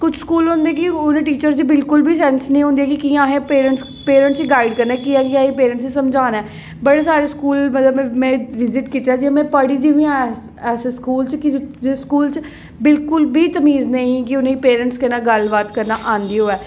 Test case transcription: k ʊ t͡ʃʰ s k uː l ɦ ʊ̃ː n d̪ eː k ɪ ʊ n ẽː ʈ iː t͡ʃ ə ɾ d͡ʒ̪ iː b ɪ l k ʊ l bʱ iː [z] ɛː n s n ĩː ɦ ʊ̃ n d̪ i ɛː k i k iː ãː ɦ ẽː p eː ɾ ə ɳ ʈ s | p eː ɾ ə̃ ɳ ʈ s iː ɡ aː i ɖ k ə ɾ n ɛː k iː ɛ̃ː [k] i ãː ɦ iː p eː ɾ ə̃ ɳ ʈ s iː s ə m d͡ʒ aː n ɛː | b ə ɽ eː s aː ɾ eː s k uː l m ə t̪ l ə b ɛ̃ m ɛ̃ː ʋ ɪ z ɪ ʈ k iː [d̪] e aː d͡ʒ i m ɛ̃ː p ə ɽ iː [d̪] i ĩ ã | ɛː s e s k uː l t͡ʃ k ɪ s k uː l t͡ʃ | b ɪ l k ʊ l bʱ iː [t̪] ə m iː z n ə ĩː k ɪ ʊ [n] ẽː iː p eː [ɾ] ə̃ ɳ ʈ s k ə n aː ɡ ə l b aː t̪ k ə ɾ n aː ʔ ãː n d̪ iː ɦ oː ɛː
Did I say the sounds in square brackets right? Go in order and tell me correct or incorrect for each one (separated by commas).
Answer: incorrect, correct, incorrect, correct, correct, correct, correct